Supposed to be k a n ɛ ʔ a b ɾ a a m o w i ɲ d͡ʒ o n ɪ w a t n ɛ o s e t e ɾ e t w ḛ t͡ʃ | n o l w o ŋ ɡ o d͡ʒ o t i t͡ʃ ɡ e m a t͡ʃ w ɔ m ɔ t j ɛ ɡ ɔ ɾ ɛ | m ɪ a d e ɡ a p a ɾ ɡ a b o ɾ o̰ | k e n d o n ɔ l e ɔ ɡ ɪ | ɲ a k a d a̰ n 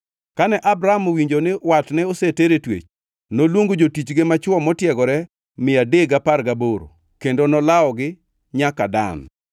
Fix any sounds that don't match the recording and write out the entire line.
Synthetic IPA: k a n ɛ ʔ a b ɾ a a m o w i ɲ d͡ʒ o n ɪ w a t n ɛ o s e t e ɾ e t w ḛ t͡ʃ | n o l w o ŋ ɡ o d͡ʒ o t i t͡ʃ ɡ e m a t͡ʃ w ɔ m ɔ t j ɛ ɡ ɔ ɾ ɛ | m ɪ a d e ɡ a p a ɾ ɡ a b o ɾ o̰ | k e n d o n ɔ l a ɔ ɡ ɪ | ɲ a k a d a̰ n